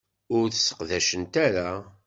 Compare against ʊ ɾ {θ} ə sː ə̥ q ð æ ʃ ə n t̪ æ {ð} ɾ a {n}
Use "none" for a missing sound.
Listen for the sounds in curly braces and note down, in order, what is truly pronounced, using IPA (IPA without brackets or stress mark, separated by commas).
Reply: θ, none, none